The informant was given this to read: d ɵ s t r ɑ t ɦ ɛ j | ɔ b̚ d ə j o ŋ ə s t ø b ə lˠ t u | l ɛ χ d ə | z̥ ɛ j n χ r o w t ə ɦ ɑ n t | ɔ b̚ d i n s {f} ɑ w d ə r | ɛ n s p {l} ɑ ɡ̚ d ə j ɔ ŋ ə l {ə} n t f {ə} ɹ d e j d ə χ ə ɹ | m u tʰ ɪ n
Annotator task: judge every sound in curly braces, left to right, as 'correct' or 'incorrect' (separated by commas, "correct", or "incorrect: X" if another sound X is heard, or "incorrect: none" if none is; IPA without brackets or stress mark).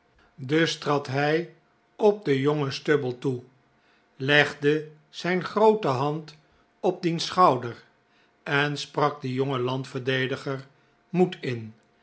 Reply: incorrect: χ, incorrect: r, incorrect: ɑ, correct